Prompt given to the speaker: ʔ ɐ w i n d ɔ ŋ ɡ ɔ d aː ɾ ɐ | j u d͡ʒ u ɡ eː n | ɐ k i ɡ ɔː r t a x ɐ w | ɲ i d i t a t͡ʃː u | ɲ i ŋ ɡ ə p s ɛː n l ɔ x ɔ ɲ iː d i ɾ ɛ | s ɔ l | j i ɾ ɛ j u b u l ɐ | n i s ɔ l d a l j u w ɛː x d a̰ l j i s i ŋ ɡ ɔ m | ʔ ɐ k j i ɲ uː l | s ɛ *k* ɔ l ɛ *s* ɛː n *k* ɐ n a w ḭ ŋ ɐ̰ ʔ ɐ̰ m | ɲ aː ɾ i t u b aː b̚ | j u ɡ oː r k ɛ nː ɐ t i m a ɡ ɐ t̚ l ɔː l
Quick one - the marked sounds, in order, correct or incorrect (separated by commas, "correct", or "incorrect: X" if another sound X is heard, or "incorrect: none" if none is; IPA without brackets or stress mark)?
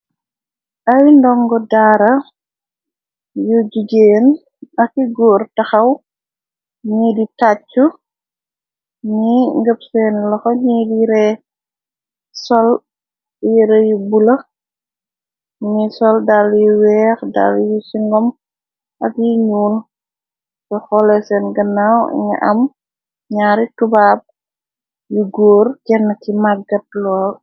incorrect: x, correct, incorrect: ɡ